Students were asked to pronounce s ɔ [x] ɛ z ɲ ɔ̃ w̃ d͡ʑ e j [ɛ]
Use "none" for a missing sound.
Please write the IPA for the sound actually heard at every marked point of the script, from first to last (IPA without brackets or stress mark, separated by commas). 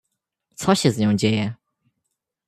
ɕ, ɛ